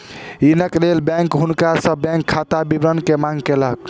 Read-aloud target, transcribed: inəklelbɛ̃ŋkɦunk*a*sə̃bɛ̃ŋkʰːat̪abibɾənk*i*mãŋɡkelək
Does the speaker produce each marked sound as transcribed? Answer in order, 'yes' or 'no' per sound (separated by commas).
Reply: yes, no